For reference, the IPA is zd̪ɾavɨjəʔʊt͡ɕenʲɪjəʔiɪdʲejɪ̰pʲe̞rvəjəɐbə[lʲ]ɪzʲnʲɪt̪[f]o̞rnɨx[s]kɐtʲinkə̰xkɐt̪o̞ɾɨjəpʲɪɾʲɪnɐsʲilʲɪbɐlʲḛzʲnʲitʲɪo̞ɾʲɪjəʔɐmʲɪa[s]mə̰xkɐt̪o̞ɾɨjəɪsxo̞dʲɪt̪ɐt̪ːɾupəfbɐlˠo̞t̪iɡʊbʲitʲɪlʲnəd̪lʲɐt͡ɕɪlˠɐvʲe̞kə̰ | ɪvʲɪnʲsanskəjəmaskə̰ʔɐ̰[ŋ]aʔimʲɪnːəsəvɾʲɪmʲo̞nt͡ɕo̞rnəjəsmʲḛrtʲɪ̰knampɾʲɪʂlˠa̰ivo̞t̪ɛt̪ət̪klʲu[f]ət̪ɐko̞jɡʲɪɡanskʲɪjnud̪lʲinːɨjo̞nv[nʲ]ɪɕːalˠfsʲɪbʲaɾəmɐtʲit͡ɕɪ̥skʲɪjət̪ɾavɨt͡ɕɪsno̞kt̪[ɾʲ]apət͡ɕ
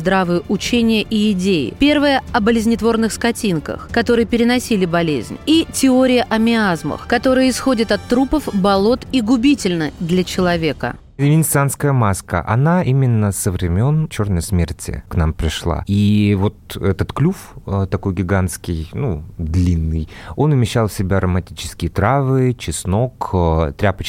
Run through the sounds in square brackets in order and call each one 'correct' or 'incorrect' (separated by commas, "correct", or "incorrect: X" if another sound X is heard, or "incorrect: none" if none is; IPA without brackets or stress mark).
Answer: correct, incorrect: v, correct, incorrect: z, incorrect: n, correct, incorrect: mʲ, correct